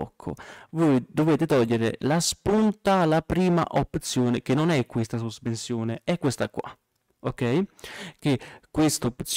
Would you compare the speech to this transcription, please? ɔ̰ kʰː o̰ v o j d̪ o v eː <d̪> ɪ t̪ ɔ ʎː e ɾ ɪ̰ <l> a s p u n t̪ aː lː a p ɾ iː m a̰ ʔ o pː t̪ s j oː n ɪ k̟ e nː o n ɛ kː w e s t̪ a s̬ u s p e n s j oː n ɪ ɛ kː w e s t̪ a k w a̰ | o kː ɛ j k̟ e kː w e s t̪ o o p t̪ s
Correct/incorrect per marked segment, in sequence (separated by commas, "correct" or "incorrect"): incorrect, correct